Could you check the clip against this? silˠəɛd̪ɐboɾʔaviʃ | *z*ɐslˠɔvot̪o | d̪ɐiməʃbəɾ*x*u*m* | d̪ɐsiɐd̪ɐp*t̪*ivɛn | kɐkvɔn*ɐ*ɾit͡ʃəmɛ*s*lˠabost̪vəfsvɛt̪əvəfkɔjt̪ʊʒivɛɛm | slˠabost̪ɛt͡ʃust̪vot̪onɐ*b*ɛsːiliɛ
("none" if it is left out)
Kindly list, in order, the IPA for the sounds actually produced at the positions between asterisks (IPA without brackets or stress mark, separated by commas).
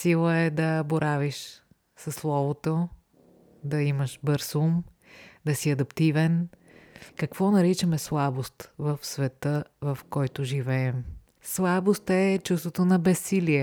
s, s, m, t̪, ɐ, s, b